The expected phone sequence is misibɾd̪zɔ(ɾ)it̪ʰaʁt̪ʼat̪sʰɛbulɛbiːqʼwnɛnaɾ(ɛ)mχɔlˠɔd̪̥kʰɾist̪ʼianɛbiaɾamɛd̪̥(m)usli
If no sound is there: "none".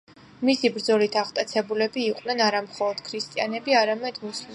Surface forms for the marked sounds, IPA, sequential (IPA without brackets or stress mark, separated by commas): l, a, m